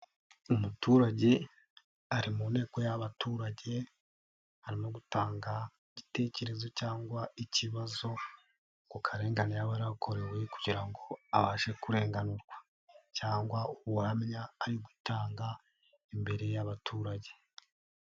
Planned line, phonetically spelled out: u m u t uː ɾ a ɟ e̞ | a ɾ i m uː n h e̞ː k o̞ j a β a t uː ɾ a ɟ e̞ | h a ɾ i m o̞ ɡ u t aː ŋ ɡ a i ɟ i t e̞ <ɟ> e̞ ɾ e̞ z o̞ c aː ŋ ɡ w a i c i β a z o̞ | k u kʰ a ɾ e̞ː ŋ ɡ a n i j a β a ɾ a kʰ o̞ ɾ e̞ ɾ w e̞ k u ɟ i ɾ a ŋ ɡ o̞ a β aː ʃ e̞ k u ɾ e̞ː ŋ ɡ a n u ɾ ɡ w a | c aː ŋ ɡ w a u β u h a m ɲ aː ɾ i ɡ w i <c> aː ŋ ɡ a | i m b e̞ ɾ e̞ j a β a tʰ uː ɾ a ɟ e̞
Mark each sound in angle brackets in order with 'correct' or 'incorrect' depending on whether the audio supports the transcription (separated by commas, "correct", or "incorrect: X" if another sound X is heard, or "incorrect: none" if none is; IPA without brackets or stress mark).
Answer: incorrect: c, incorrect: t